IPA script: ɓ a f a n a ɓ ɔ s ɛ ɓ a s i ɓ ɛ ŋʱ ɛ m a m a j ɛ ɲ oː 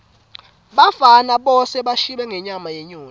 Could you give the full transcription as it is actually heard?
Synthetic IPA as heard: ɓ a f a n a ɓ ɔ s ɛ ɓ a ʃ i ɓ ɛ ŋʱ ɛ ɲ a m a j ɛ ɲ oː